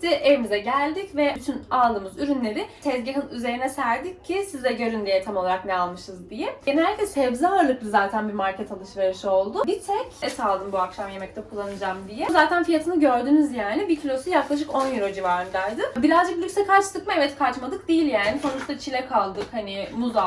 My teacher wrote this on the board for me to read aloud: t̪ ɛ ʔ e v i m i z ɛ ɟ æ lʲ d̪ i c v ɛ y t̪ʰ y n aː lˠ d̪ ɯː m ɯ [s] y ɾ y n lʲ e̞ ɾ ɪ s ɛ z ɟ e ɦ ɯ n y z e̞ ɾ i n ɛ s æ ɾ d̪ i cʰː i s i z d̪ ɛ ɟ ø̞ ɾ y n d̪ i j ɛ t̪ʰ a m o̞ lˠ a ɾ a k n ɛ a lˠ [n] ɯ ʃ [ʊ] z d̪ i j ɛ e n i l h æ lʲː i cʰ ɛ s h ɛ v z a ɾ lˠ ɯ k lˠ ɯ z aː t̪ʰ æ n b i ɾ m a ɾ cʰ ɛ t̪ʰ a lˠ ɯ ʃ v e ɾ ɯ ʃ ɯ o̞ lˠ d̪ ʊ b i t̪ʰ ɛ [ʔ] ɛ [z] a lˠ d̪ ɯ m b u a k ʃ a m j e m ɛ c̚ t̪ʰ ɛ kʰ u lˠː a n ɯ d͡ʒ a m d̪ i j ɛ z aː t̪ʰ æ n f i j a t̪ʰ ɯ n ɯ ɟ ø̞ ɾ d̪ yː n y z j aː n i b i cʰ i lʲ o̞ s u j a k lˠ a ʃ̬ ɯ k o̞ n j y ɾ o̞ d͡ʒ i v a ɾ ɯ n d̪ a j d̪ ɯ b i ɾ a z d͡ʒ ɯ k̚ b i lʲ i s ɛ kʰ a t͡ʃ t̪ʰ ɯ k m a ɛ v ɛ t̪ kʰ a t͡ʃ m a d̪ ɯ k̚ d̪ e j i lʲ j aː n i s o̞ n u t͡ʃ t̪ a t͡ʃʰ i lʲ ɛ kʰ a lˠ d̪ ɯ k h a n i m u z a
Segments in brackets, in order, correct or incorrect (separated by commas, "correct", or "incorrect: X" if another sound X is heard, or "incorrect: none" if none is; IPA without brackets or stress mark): incorrect: z, incorrect: m, incorrect: ɯ, incorrect: c, incorrect: s